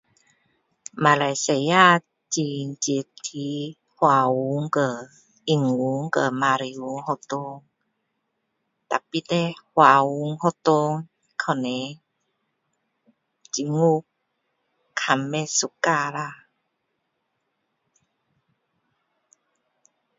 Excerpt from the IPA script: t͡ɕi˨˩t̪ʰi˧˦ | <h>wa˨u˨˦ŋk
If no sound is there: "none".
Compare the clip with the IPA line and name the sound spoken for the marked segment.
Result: h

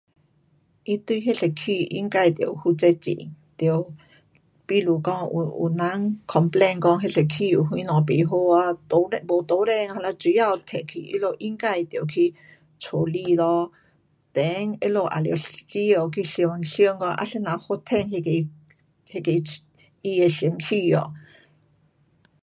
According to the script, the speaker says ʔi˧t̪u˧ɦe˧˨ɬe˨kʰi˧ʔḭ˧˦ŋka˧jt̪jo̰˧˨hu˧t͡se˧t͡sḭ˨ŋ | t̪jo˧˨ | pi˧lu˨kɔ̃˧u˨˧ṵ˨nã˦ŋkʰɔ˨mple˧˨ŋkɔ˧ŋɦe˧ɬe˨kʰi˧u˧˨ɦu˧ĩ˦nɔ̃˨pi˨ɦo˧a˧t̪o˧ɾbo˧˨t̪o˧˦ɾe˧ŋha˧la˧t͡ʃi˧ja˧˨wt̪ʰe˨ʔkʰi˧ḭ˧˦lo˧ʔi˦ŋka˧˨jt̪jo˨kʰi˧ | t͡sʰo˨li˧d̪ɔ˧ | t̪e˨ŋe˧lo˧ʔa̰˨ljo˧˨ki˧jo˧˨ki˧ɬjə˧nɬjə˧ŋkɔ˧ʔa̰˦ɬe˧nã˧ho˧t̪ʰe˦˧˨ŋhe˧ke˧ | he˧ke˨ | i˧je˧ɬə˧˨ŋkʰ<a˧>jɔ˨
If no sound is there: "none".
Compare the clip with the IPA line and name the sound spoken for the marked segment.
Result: i˧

